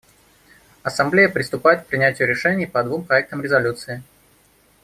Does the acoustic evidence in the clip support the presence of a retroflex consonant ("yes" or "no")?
yes